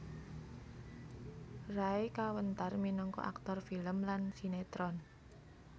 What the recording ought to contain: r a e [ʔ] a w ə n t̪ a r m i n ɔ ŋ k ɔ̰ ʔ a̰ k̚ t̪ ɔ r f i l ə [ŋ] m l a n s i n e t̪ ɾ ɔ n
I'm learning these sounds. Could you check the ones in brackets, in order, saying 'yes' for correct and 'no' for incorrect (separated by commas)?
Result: no, no